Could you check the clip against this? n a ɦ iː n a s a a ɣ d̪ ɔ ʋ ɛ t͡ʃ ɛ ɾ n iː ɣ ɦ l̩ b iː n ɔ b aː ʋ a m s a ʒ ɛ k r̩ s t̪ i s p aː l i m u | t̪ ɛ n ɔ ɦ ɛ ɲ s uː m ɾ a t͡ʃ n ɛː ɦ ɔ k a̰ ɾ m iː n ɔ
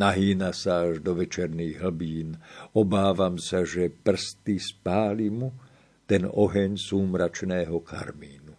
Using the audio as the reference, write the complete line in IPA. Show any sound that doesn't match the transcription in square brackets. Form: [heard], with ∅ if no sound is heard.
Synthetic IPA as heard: n a ɦ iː n a s a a [ʒ] d̪ ɔ ʋ ɛ t͡ʃ ɛ ɾ n iː ɣ ɦ l̩ b iː n ɔ b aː ʋ a m s a ʒ ɛ [p] r̩ s t̪ i s p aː l i m u | t̪ ɛ n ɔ ɦ ɛ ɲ s uː m ɾ a t͡ʃ n ɛː ɦ ɔ k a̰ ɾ m iː n [u]